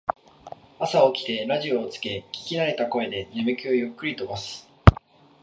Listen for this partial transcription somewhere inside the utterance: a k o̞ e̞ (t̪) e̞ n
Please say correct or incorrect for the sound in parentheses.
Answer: incorrect: d̪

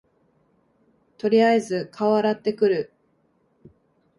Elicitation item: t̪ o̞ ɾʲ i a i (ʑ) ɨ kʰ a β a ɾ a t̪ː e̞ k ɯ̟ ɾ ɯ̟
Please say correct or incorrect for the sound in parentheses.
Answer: incorrect: z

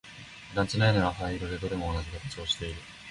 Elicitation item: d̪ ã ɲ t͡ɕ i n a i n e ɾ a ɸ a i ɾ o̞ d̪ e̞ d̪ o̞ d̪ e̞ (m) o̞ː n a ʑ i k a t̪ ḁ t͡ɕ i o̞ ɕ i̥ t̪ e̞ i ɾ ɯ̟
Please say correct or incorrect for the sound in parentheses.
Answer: correct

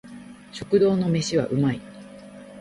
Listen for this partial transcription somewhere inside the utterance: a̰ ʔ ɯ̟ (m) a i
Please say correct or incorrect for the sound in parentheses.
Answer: correct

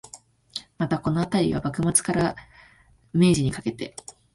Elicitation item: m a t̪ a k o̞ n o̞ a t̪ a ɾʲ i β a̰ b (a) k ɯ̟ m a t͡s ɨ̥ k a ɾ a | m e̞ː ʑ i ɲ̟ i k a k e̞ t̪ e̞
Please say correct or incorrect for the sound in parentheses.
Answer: correct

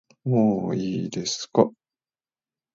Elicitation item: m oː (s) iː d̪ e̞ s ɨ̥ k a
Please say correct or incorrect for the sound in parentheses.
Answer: incorrect: none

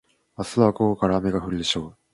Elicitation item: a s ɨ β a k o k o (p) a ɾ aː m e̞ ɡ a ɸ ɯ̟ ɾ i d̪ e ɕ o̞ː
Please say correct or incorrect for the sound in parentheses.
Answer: incorrect: k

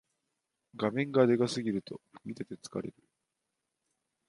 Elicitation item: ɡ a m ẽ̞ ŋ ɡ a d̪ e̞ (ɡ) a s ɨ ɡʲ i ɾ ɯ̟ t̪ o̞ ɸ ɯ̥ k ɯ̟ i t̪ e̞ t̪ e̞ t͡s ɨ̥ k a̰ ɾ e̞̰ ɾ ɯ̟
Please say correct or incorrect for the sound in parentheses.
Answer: correct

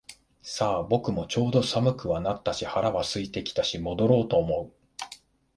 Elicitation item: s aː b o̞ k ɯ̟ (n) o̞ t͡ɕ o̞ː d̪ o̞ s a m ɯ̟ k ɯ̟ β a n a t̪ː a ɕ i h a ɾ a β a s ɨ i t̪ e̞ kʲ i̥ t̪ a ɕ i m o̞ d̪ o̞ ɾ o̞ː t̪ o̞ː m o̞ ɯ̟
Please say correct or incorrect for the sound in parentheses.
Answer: incorrect: m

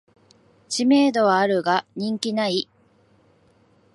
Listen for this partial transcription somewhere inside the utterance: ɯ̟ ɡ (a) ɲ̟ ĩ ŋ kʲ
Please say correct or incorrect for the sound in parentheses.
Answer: correct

